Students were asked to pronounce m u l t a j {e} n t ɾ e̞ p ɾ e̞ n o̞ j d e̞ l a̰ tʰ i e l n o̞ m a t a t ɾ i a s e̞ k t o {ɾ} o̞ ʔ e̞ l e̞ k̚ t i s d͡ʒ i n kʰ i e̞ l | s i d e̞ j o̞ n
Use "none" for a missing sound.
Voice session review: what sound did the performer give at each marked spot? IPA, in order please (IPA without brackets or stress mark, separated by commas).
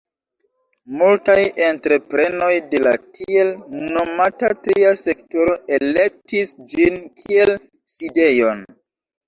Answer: e, ɾ